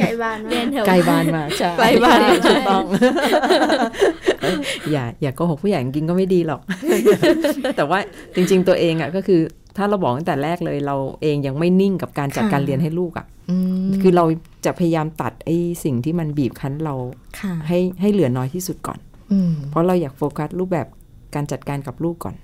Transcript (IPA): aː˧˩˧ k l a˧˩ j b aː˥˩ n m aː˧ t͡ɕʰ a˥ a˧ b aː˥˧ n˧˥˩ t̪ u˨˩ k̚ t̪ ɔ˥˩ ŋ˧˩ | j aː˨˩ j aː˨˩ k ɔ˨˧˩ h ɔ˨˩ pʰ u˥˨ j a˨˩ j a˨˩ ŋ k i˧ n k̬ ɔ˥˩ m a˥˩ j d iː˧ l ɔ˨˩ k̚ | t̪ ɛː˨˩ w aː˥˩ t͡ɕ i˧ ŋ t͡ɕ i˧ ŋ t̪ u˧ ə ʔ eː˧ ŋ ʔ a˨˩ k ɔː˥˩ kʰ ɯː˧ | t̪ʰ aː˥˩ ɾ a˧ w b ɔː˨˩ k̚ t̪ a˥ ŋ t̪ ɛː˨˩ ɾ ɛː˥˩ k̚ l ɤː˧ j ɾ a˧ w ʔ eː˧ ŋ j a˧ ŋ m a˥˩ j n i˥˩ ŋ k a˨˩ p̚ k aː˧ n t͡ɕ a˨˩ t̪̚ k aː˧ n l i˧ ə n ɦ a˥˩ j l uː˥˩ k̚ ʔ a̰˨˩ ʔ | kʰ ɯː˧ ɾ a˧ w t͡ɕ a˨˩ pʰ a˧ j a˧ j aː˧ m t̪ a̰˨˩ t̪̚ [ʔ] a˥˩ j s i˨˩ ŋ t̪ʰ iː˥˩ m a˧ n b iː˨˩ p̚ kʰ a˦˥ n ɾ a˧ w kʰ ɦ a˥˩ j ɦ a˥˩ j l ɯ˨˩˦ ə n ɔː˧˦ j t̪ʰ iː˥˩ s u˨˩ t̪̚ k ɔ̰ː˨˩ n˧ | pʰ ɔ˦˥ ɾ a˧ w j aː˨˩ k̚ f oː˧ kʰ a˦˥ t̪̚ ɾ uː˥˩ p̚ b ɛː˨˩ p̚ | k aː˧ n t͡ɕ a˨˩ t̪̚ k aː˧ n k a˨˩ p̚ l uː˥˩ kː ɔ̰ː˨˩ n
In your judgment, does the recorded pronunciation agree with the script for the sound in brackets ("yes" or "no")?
yes